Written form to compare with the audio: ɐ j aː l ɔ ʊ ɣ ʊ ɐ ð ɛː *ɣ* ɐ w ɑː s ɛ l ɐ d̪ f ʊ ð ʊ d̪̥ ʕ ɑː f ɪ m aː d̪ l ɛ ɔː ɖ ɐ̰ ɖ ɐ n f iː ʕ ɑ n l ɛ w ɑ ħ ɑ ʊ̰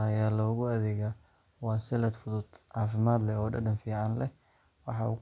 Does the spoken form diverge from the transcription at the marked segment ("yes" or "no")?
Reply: no